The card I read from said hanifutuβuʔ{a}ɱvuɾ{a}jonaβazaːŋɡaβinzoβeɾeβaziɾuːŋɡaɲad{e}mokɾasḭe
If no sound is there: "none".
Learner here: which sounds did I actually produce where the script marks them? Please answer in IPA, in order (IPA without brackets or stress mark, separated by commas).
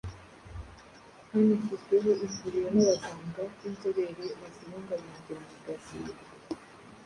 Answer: i, i, e